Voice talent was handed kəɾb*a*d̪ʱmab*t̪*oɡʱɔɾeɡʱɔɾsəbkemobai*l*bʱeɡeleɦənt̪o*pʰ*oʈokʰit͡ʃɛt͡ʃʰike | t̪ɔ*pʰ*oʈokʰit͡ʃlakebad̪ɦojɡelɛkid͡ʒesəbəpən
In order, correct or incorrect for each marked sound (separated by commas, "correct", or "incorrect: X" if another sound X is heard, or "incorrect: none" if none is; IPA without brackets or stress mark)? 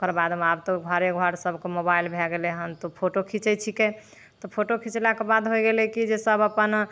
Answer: correct, correct, correct, correct, correct